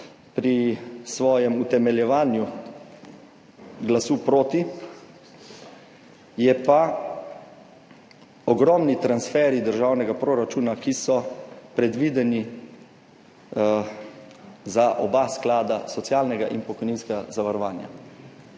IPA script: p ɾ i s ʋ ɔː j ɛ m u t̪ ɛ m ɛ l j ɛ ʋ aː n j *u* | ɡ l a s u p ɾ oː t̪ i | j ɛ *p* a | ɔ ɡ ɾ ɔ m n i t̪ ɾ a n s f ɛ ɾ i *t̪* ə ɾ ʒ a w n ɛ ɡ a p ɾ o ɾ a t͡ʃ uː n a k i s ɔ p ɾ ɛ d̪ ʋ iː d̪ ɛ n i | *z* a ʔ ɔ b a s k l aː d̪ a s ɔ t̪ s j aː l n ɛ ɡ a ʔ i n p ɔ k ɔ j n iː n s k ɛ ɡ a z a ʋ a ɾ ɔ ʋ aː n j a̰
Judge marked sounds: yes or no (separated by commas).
yes, yes, no, yes